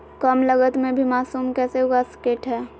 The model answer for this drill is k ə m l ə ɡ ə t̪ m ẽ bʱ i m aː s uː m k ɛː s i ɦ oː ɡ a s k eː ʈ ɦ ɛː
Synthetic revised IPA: k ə m l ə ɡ ə t̪ m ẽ bʱ i m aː s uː m k ɛː s e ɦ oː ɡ a s k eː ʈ ɦ ɛː